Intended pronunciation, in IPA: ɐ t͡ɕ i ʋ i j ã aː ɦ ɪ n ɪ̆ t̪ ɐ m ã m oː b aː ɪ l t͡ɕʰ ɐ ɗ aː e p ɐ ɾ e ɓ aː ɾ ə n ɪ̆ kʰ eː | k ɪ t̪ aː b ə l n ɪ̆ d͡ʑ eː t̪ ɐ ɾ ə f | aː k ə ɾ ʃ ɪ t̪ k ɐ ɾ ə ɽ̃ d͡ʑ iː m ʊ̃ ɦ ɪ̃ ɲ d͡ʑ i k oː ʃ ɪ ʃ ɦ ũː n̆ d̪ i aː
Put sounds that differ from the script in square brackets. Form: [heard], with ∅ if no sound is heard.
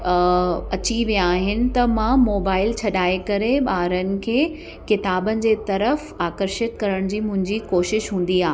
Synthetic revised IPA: ɐ t͡ɕ i ʋ i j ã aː ɦ ɪ n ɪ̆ t̪ ɐ m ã m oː b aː ɪ l t͡ɕʰ ɐ ɗ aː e [k] ɐ ɾ e ɓ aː ɾ ə n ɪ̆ kʰ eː | k ɪ t̪ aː b ə [∅] n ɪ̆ d͡ʑ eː t̪ ɐ ɾ ə f | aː k ə ɾ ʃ ɪ t̪ k ɐ ɾ ə ɽ̃ d͡ʑ iː m ʊ̃ ɦ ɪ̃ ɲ d͡ʑ i k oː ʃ ɪ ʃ ɦ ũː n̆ d̪ i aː